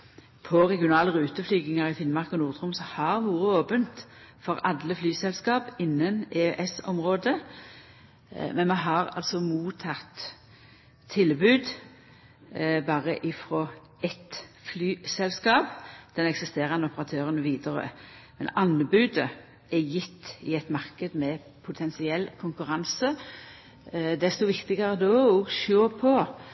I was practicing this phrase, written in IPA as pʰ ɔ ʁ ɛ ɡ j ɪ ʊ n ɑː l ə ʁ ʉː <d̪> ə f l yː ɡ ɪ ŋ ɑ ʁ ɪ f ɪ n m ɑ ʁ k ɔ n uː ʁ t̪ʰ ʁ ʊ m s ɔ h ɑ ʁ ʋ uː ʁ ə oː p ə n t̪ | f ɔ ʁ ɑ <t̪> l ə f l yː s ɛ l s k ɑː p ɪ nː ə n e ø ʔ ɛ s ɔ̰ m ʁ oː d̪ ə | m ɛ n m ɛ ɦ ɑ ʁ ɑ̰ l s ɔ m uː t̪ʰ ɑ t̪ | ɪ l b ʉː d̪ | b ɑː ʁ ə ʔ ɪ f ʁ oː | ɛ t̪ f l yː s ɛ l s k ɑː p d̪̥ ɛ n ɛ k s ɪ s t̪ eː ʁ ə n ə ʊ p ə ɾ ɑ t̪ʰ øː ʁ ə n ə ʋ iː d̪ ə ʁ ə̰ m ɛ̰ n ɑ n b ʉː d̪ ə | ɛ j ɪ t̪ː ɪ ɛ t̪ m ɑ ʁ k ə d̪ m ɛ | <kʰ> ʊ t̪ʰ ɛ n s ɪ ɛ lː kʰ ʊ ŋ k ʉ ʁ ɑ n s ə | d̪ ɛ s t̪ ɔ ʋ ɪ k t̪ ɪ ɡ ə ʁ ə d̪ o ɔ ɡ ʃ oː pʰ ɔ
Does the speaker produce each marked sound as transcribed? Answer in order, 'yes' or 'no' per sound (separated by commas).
no, no, no